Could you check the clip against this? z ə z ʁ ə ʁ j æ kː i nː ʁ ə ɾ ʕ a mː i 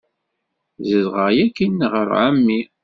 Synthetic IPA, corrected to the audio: z ə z ʁ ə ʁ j æ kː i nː ʁ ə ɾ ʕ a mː i